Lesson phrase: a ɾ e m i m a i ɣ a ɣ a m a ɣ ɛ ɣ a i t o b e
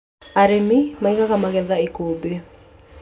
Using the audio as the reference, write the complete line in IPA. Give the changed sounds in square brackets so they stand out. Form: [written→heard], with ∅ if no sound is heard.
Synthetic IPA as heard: a ɾ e m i m a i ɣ a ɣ a m a ɣ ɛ [ɣ→ð] a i [t→k] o b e